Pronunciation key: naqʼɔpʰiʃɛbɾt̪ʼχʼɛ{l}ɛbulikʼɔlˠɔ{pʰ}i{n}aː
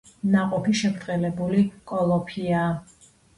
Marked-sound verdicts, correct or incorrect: correct, correct, incorrect

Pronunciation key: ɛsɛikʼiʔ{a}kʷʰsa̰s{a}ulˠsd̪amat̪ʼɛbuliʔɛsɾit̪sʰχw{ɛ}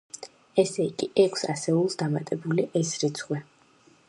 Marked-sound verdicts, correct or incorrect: incorrect, incorrect, correct

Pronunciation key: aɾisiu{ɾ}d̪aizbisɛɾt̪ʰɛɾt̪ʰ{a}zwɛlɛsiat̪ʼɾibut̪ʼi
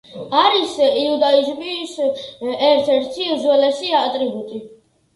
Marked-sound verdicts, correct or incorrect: incorrect, incorrect

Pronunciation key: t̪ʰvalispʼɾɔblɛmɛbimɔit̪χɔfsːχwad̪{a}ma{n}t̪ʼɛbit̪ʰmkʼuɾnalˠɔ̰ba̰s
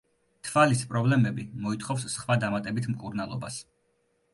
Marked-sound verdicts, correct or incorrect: correct, incorrect

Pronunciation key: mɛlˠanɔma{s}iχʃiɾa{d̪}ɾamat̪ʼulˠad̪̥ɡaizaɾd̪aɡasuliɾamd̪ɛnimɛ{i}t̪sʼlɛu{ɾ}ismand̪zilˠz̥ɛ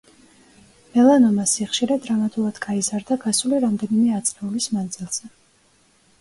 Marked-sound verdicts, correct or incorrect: correct, correct, incorrect, incorrect

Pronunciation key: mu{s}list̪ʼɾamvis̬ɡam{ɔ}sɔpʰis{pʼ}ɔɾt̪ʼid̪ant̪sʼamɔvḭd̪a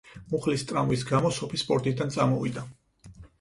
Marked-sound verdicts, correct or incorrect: incorrect, correct, correct

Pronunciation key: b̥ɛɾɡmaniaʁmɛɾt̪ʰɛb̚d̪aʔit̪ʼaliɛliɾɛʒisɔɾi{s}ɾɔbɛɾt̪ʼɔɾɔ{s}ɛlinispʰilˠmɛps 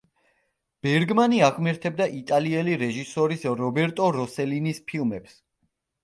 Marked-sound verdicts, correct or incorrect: correct, correct

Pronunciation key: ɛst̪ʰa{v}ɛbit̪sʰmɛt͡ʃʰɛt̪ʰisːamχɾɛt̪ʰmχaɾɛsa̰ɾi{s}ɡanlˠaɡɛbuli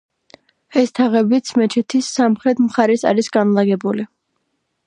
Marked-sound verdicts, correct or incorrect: incorrect, correct

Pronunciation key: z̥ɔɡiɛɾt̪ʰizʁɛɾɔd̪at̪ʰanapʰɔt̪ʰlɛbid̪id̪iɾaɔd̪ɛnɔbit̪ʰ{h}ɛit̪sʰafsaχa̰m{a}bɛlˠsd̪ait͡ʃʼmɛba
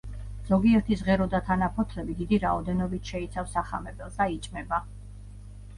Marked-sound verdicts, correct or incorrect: incorrect, incorrect

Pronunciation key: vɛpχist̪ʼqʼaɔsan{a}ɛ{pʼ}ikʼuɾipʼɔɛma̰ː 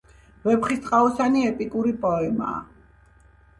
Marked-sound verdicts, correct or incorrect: incorrect, correct

